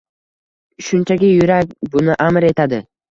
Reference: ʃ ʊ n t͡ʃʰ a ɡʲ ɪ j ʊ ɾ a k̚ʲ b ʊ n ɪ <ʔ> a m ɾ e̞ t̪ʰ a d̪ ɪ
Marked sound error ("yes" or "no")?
no